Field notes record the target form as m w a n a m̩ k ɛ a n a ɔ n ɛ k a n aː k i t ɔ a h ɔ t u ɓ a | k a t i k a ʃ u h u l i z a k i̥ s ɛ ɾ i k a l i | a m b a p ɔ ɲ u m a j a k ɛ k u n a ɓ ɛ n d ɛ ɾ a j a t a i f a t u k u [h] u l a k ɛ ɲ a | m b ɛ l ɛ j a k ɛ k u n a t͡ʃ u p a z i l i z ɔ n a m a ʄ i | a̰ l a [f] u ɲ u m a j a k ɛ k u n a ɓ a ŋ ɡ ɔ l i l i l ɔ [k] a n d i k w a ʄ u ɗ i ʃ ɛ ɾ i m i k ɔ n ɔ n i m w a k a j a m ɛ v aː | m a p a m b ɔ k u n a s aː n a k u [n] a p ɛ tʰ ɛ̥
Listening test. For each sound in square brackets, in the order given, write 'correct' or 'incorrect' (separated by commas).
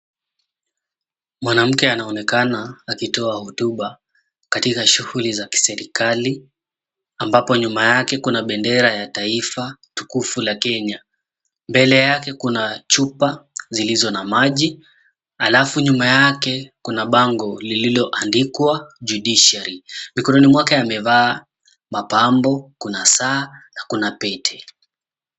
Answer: incorrect, correct, incorrect, correct